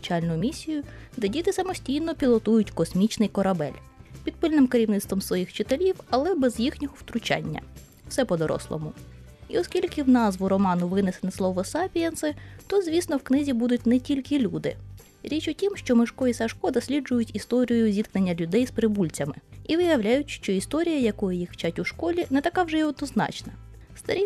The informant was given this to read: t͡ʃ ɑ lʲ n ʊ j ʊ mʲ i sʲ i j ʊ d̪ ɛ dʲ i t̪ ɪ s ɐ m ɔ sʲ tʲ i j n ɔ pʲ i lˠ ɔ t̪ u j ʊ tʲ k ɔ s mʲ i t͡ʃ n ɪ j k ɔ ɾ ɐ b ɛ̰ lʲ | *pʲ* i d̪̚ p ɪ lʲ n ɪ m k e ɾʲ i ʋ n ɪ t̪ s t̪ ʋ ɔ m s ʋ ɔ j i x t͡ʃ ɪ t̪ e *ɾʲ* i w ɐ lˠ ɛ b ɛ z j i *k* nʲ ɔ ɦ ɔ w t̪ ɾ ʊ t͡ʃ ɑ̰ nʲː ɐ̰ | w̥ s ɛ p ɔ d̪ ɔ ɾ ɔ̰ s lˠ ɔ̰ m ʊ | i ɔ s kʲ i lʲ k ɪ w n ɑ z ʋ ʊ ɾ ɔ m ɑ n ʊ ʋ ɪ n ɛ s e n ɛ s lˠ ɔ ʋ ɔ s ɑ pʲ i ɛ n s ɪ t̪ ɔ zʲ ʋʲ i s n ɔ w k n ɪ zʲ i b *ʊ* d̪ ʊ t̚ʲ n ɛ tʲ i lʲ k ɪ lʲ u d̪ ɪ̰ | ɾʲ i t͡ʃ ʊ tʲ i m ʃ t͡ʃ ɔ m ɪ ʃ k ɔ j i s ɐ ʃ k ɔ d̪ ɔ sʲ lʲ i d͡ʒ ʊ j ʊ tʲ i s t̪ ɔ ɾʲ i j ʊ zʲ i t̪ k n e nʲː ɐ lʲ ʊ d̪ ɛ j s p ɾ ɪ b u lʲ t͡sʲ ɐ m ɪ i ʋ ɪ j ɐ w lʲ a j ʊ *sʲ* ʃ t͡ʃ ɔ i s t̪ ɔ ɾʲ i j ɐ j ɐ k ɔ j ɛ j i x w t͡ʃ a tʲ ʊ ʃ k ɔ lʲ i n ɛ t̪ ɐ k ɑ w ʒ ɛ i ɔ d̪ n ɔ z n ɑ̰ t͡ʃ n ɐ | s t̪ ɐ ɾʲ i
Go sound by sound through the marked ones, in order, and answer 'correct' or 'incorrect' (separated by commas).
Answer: correct, incorrect, incorrect, incorrect, incorrect